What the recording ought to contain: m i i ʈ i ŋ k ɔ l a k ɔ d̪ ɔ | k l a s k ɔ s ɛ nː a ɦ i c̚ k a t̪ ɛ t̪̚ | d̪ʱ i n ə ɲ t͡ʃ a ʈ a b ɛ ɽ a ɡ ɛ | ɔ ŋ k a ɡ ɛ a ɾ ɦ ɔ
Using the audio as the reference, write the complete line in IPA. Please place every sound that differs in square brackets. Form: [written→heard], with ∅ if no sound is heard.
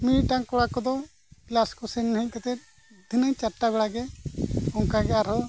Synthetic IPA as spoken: m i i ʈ [i→a] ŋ k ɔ [l→ɽ] a k ɔ d̪ ɔ | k l a s k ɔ s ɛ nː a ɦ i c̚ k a t̪ ɛ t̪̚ | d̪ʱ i n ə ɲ t͡ʃ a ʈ a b ɛ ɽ a ɡ ɛ | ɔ ŋ k a ɡ ɛ a ɾ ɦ ɔ